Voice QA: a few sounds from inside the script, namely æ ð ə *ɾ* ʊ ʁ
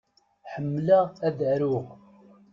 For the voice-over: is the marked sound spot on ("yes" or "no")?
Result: yes